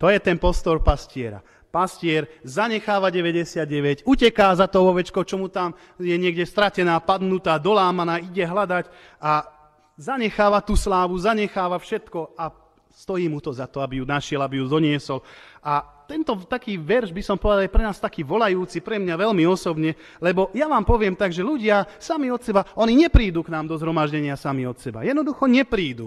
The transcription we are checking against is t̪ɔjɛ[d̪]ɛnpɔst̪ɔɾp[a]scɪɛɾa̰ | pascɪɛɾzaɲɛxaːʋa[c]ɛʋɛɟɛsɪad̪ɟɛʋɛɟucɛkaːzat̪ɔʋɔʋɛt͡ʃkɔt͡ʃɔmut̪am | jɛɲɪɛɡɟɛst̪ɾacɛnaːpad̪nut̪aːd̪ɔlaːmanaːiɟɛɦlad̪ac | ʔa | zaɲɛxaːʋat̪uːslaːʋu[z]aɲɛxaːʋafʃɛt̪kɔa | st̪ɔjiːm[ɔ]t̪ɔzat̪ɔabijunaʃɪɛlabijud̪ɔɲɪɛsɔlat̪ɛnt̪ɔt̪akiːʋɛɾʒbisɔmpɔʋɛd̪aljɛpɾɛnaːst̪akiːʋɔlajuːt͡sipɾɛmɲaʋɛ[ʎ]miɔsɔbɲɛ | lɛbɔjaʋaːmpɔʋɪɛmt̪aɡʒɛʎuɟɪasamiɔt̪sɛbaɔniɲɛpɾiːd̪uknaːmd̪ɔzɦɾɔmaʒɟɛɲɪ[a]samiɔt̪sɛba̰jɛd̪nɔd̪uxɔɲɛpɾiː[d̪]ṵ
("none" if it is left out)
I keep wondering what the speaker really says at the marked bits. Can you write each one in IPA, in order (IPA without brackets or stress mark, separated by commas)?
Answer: t̪, a, ɟ, z, u, l, a, d̪